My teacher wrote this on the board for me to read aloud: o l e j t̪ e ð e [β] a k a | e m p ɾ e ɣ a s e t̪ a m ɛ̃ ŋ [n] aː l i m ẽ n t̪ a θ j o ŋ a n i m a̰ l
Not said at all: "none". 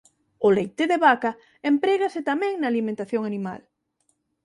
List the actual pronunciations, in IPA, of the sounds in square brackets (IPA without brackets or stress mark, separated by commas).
β, n